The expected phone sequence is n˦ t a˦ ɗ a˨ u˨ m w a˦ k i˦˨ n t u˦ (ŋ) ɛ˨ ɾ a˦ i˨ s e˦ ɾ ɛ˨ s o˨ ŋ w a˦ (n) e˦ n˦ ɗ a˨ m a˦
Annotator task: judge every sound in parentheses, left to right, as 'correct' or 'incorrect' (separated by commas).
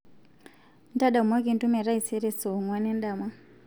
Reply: incorrect, correct